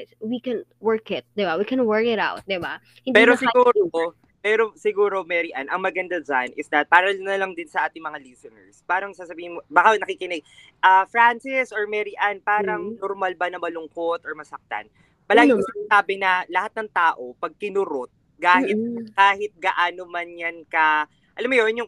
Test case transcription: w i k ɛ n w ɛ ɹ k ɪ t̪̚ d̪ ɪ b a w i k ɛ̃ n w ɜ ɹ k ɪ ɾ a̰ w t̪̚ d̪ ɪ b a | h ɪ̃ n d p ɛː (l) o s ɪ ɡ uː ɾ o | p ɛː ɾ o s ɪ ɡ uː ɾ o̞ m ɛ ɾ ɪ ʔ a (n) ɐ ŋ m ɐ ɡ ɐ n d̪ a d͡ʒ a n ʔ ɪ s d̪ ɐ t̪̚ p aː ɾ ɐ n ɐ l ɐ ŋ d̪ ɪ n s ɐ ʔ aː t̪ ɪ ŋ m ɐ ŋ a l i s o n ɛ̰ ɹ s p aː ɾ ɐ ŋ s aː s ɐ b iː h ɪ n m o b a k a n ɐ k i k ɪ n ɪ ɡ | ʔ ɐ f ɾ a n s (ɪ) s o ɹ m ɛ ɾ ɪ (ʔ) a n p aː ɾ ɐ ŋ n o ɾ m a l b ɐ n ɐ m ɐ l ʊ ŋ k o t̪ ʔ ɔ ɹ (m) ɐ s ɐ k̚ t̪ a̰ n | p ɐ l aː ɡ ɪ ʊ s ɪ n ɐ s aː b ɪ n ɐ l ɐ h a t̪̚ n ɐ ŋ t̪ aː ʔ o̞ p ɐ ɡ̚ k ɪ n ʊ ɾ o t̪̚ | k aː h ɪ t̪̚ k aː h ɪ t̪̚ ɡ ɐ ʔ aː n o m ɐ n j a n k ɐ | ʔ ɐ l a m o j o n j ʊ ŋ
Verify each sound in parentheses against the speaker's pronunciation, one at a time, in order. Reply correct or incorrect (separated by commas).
incorrect, correct, correct, correct, correct